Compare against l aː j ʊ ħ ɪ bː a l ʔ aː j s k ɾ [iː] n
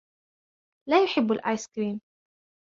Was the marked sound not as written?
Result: no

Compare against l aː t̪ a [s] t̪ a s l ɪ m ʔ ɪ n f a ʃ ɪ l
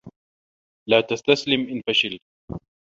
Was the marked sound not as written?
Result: no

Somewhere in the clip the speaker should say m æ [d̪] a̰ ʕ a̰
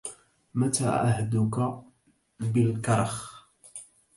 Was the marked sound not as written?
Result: yes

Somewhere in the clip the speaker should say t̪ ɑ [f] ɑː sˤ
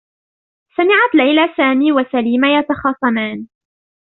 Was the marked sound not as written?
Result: yes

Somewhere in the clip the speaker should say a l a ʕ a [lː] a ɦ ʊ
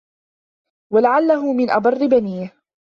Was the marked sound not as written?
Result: no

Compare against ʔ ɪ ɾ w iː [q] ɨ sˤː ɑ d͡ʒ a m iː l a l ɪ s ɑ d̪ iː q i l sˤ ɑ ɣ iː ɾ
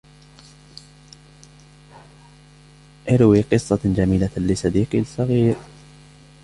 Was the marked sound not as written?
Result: no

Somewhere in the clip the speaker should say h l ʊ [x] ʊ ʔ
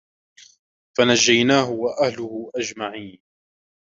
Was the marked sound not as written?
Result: yes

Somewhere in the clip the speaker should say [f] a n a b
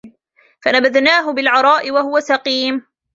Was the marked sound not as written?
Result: no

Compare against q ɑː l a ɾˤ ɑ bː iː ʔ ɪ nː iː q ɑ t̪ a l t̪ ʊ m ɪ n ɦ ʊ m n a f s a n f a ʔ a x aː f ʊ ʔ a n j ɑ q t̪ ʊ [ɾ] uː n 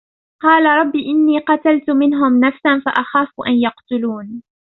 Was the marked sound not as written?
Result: yes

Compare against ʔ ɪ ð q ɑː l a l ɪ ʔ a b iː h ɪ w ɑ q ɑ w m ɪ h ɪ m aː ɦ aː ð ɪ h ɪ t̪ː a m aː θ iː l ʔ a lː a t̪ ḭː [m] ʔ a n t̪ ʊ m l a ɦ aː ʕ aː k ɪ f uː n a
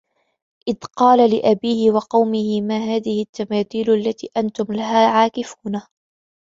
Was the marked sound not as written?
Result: yes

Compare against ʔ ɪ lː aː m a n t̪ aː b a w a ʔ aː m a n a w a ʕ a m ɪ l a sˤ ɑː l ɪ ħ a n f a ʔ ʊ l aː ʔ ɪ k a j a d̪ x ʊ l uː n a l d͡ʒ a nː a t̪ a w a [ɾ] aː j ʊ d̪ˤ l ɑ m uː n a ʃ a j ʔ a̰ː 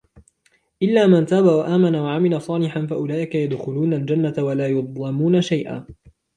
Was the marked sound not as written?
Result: yes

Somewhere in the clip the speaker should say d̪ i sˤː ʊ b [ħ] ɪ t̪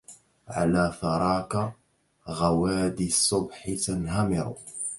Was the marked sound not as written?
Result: no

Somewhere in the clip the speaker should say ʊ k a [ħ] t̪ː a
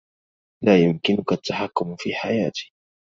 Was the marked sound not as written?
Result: yes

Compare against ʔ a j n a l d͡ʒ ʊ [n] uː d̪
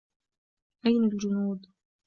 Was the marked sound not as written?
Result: no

